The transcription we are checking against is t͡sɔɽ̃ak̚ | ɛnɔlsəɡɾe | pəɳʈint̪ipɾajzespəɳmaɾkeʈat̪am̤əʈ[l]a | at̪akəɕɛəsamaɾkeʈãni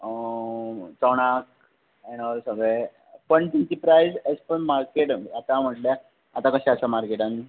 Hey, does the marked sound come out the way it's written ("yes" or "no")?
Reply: yes